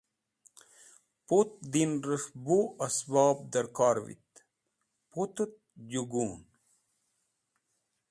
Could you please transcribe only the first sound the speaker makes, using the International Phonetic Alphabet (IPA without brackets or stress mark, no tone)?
p